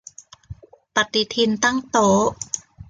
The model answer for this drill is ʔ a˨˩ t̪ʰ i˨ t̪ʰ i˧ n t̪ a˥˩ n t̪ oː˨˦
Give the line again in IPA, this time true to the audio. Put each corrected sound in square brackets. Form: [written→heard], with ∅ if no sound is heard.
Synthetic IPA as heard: [ʔ→p] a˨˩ [t̪ʰ→t̪] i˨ t̪ʰ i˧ n t̪ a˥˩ [n→ŋ] t̪ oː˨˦